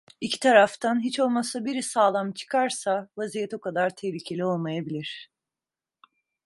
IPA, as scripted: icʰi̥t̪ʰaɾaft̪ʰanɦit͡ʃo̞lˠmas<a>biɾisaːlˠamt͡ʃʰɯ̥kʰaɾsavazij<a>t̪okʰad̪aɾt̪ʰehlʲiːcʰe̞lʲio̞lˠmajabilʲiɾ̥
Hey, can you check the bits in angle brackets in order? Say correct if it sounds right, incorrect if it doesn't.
correct, incorrect: ɛ

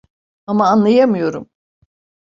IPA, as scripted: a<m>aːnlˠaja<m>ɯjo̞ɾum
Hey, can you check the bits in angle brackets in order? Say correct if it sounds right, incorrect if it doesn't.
correct, correct

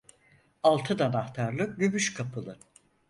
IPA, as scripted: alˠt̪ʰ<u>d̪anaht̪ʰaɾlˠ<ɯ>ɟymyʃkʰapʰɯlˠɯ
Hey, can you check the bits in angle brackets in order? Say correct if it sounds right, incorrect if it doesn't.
incorrect: ɯ, correct

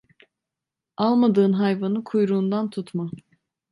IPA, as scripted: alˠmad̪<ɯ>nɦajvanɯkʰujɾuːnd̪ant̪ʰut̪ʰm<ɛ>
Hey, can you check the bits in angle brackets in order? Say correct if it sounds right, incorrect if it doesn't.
incorrect: ɯː, incorrect: a

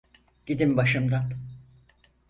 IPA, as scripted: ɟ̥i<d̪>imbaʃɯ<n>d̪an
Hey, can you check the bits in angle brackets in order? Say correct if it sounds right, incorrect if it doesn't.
correct, incorrect: m

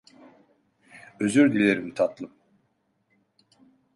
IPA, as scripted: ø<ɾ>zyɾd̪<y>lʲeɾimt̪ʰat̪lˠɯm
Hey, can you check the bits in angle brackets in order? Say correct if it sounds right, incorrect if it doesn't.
incorrect: none, incorrect: i

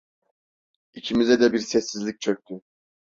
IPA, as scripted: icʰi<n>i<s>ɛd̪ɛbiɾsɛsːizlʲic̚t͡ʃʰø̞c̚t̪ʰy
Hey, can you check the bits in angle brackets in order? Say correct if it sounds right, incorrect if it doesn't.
incorrect: m, incorrect: z

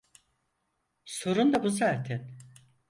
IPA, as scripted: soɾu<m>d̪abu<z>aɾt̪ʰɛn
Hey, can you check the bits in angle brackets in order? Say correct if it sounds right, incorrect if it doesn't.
incorrect: n, correct

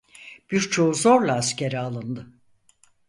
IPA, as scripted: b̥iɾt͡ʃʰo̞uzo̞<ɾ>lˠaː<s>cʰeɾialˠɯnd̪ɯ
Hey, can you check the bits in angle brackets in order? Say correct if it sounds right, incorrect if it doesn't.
correct, correct

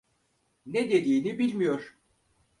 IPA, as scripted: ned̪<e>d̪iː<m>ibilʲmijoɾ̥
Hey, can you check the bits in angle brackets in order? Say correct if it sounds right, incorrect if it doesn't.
correct, incorrect: n

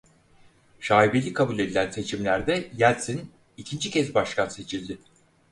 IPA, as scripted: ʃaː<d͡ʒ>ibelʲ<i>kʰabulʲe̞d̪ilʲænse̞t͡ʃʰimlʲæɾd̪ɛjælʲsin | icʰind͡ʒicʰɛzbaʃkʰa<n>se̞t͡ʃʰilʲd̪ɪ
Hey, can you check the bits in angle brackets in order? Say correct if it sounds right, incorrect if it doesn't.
incorrect: none, correct, correct

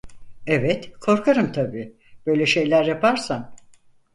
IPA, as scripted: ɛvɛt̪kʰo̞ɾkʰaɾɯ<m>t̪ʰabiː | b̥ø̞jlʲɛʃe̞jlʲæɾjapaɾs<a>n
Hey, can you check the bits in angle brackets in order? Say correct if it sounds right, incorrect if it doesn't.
correct, correct

